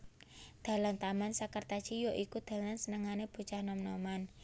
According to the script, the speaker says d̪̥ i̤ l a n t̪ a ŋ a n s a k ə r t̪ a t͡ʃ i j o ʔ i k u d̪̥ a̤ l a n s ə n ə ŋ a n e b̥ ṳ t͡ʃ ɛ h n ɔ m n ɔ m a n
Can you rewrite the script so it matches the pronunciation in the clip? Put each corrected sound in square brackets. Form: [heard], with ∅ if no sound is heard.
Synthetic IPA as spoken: d̪̥ [a̤] l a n t̪ a [m] a n s a k ə r t̪ a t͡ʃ i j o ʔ i k u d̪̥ a̤ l a n s ə n ə ŋ a n e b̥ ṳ t͡ʃ [a] h n ɔ m n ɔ m a n